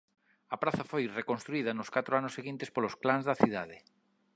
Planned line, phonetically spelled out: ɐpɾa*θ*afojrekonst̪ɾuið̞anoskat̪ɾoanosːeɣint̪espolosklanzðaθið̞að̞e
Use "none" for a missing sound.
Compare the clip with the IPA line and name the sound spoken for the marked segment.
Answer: θ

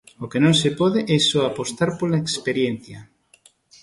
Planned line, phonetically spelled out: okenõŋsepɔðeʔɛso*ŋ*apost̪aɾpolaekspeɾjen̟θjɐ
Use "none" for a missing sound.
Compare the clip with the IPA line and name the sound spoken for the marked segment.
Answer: none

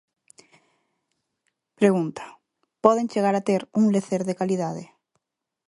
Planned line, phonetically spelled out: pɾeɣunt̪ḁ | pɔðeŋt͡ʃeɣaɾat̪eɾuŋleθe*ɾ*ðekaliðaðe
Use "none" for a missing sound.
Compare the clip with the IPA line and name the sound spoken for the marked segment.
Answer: ɾ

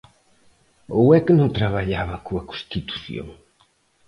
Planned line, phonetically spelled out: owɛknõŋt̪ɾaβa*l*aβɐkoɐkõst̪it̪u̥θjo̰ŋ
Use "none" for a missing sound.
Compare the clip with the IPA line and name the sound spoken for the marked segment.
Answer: ʎ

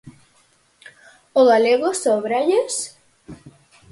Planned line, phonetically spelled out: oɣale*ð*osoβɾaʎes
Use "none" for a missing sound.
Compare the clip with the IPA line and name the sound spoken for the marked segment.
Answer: ɣ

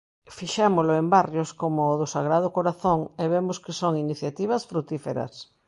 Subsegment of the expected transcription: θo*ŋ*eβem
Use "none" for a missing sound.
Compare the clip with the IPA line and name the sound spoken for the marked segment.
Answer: ŋ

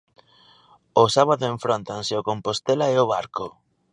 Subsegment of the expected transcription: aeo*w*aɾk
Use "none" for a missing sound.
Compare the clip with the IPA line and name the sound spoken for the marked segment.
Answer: β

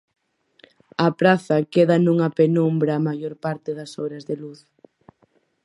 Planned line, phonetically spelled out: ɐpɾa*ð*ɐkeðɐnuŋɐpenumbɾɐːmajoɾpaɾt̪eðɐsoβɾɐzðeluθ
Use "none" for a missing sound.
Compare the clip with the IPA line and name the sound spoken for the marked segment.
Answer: θ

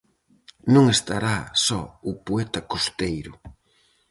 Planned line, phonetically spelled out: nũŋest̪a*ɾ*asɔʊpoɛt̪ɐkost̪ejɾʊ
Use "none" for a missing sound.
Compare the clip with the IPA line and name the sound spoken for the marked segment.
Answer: ɾ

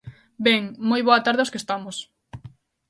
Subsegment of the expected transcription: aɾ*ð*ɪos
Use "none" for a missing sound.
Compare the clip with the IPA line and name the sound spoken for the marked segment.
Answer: ð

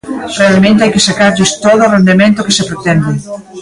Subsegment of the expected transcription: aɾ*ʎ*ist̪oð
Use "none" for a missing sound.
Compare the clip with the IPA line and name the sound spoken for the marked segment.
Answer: ʎ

